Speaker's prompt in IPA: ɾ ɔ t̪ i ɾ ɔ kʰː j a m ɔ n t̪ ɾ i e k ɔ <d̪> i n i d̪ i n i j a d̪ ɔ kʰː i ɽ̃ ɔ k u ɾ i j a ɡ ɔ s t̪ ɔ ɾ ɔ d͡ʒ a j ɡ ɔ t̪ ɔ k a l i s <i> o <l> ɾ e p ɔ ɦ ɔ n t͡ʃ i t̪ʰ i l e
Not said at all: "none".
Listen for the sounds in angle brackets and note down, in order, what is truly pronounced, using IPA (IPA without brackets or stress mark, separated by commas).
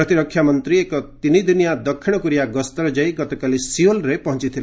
t̪, i, l